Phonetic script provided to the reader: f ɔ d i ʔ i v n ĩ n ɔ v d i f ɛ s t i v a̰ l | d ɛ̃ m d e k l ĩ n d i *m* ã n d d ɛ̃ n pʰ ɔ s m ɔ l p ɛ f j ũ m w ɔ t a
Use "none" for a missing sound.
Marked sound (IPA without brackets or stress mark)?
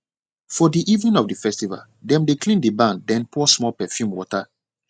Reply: b